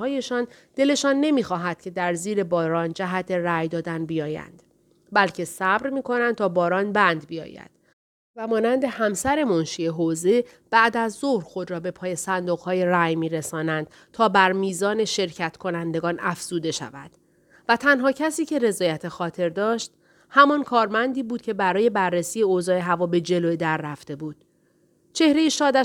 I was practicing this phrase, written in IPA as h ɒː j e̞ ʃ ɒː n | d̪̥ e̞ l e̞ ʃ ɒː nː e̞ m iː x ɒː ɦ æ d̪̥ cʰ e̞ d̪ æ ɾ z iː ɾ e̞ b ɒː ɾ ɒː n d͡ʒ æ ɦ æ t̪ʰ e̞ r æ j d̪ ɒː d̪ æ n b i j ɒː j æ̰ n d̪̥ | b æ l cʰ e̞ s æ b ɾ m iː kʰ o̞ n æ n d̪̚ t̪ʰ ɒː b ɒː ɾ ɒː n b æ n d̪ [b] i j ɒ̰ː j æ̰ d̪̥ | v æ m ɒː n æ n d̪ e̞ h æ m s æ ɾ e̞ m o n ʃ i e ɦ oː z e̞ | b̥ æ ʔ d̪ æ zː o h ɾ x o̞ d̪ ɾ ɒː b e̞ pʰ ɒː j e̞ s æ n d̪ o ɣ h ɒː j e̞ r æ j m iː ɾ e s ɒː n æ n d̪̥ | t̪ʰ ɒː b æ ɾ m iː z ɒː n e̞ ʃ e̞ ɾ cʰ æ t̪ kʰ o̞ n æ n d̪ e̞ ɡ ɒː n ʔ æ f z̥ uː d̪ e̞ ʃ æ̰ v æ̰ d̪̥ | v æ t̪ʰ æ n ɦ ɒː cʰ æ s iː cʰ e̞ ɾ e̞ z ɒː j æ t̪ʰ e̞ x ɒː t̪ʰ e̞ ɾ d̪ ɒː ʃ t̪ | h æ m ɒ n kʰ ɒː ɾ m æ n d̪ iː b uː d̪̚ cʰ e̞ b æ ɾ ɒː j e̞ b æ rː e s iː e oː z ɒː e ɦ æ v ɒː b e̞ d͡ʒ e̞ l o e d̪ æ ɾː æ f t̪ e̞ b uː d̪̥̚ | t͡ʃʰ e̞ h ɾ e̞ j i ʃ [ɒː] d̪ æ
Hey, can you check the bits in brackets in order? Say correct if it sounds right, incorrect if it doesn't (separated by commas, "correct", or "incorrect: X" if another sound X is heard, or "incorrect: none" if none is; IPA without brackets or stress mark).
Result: correct, correct